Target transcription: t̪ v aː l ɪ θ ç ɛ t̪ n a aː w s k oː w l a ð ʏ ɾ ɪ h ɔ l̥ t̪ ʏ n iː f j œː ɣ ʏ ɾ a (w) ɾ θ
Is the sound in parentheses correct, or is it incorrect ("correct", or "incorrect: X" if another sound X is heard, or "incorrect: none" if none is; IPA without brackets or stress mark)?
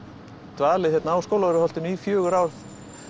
correct